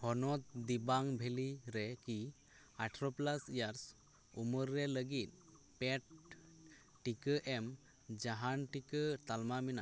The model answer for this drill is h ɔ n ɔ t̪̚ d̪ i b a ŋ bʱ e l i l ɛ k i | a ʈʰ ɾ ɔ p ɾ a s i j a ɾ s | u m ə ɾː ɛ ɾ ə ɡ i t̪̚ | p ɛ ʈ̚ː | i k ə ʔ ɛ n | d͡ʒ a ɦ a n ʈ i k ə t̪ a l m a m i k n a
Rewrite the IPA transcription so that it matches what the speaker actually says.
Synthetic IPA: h ɔ n ɔ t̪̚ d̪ i b a ŋ bʱ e l i ɾ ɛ k i | a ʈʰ ɾ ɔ p l a s i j a ɾ s | u m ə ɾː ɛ l ə ɡ i t̪̚ | p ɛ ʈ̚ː | i k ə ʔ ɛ m | d͡ʒ a ɦ a n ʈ i k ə t̪ a l m a m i n a